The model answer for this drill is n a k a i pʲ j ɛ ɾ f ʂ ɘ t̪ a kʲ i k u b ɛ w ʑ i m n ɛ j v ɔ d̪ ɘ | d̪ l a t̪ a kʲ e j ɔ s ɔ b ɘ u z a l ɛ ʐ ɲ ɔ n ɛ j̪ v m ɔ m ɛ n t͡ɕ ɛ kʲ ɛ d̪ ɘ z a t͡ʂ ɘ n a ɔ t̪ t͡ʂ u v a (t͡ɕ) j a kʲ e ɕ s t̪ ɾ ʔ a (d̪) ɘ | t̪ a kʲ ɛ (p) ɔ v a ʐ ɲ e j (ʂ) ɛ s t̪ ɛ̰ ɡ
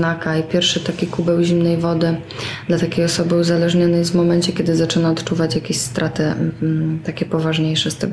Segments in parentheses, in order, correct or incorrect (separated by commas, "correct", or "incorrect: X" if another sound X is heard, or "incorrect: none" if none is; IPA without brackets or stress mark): correct, incorrect: t̪, correct, correct